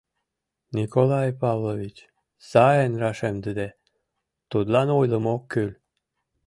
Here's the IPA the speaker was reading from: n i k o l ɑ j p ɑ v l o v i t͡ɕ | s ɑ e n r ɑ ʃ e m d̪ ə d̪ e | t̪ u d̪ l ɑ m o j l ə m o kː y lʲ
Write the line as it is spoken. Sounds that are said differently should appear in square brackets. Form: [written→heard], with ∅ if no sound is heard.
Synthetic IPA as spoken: n i k o l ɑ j p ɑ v l o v i t͡ɕ | s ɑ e n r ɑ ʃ e m d̪ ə d̪ e | t̪ u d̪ l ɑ [m→n] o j l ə m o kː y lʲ